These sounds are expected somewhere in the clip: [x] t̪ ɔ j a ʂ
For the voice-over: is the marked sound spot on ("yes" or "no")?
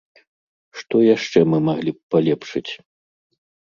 no